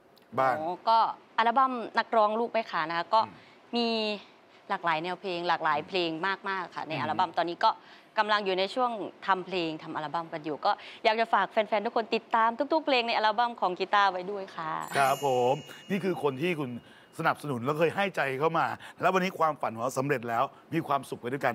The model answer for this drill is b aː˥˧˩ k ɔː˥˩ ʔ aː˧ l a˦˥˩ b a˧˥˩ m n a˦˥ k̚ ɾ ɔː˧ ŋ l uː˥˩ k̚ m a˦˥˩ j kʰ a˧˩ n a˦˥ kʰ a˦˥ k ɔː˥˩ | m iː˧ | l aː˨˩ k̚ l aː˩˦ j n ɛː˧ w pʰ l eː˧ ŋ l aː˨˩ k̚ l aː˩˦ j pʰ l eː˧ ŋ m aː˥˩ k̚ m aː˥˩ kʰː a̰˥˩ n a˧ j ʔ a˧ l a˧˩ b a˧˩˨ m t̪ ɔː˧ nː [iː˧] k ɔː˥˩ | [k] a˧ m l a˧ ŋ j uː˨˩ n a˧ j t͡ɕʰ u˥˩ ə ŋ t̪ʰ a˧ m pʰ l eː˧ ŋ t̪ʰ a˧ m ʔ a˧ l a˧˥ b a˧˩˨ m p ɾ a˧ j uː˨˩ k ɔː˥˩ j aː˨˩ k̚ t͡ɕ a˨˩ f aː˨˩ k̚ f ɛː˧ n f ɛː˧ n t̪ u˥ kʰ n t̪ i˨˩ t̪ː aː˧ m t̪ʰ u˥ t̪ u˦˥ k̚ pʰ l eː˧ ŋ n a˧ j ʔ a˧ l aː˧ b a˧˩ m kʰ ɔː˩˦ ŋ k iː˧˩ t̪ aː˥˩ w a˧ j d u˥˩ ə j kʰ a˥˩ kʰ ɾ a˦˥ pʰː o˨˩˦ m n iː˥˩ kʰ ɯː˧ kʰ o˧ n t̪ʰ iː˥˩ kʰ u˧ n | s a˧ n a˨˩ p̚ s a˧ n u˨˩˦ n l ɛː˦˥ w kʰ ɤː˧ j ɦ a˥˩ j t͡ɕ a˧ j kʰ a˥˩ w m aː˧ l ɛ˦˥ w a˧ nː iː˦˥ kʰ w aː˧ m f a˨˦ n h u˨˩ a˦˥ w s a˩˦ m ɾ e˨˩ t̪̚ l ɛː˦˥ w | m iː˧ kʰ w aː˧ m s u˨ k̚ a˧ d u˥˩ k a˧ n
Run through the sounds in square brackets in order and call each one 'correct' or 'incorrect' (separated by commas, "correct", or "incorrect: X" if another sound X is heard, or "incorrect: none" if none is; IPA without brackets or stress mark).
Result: incorrect: iː˦˥, correct